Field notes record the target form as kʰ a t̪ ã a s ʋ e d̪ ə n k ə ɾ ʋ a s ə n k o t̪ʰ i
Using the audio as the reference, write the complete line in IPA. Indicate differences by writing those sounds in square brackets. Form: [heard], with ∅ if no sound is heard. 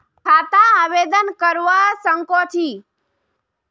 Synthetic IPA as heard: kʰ a t̪ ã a [∅] ʋ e d̪ ə n k ə ɾ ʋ a s ə [ŋ] k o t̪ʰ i